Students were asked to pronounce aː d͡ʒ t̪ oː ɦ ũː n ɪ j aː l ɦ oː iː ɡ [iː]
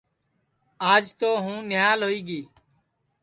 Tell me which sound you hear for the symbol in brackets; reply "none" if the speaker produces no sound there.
iː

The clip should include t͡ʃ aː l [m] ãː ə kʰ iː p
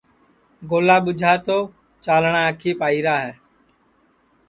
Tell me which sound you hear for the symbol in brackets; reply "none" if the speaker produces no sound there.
ɳ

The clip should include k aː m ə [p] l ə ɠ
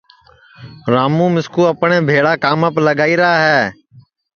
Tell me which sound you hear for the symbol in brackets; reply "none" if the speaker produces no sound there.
p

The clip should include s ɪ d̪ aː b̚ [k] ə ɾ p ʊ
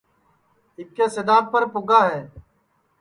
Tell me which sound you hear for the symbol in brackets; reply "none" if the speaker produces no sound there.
p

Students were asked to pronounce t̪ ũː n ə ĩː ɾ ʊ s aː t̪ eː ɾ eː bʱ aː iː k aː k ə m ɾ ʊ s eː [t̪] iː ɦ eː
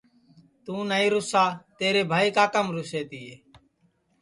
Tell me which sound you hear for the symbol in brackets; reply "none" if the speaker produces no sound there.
t̪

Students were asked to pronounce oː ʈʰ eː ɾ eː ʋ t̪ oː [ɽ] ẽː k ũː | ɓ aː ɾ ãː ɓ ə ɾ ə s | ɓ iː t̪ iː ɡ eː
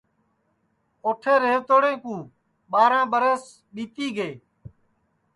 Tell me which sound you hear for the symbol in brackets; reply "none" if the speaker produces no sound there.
ɽ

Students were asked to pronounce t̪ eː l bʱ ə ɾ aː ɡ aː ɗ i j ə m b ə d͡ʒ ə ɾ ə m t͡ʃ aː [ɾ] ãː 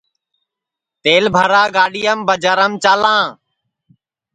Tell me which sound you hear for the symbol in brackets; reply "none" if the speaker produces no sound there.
l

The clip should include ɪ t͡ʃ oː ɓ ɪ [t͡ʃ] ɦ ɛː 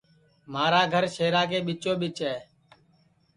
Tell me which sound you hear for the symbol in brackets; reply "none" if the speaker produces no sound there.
t͡ʃ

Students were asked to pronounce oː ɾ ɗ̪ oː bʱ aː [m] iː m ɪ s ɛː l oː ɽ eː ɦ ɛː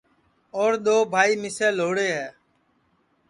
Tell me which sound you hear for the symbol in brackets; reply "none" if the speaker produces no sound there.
none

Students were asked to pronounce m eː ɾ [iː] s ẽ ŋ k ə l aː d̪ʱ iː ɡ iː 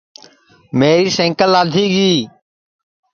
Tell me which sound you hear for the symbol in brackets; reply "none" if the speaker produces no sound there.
iː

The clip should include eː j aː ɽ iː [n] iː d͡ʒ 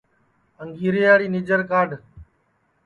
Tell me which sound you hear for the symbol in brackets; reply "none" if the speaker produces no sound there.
n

